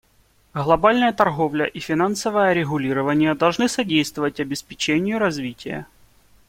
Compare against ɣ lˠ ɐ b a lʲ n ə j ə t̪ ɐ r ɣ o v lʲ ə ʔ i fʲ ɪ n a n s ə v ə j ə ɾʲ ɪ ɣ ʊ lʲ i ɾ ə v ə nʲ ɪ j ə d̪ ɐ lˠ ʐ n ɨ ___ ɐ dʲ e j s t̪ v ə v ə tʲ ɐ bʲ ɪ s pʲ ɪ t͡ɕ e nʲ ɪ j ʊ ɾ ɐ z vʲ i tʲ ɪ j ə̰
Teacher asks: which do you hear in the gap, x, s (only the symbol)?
s